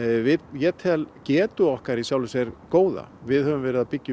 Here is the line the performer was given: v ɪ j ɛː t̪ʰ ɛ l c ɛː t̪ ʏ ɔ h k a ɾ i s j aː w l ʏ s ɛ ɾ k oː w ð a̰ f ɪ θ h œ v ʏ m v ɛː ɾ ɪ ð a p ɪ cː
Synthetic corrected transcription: v ɪ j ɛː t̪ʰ ɛ l c ɛː t̪ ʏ ɔ h k a ɾ i s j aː w l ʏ s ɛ ɾ k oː w ð a̰ v ɪ ð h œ v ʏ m v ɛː ɾ ɪ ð a p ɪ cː